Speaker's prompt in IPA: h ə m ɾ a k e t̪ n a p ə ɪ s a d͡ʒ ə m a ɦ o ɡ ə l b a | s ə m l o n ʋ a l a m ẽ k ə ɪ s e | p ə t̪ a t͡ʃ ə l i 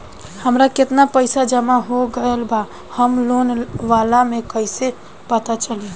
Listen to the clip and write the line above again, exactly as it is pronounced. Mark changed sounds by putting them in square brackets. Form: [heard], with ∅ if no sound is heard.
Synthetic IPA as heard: h ə m ɾ a k e t̪ n a p ə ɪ s a d͡ʒ ə m a ɦ o ɡ ə l b a | [h] ə m l o n ʋ a l a m [e] k ə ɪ s e | p ə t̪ a t͡ʃ ə l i